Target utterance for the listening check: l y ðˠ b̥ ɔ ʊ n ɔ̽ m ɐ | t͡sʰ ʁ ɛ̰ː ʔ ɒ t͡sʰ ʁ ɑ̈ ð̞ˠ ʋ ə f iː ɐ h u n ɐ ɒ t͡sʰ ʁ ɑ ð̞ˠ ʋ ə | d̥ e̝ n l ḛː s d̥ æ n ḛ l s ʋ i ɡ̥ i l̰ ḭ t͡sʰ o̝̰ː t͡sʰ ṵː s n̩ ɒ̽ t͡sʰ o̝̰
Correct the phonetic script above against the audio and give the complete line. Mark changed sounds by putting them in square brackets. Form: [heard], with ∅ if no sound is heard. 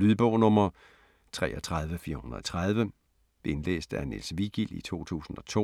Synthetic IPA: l y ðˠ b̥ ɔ ʊ n ɔ̽ m ɐ | t͡sʰ ʁ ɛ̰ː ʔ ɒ t͡sʰ ʁ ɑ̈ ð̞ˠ ʋ ə f iː ɐ h u n ɐ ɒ t͡sʰ ʁ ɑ ð̞ˠ ʋ ə | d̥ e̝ n l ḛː s d̥ æ n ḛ l s ʋ i ɡ̥ i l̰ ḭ t͡sʰ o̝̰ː t͡sʰ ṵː s n̩ ɒ̽ t͡sʰ o̝̰